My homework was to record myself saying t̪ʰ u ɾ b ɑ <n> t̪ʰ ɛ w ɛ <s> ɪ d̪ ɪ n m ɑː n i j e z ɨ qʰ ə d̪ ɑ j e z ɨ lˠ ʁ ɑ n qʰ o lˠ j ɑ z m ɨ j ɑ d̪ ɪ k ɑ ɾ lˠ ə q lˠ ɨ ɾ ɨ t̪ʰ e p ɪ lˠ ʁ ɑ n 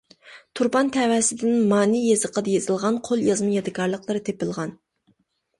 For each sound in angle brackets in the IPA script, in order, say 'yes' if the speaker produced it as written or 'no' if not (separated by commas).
yes, yes